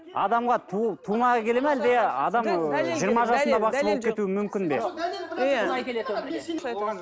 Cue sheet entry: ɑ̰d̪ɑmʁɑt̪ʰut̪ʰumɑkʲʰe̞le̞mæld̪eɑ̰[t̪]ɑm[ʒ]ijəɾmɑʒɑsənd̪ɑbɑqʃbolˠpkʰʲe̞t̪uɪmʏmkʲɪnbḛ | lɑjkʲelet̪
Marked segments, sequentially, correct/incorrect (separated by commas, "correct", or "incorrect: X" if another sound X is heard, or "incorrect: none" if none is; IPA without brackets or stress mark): incorrect: d̪, correct